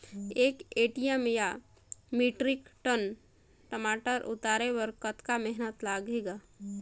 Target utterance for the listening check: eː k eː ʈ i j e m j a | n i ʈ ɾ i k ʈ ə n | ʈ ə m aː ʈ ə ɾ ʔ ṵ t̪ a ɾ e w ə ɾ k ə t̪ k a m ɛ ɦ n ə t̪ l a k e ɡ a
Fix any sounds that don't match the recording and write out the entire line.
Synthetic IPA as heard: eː k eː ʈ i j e m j a | m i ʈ ɾ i k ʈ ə n | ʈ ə m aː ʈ ə ɾ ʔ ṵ t̪ a ɾ e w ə ɾ k ə t̪ k a m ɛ ɦ n ə t̪ l a ɡ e ɡ a